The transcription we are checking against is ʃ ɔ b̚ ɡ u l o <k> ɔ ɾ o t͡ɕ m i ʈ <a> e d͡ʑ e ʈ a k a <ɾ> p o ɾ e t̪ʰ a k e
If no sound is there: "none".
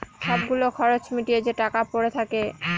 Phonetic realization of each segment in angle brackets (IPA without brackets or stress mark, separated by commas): kʰ, i, none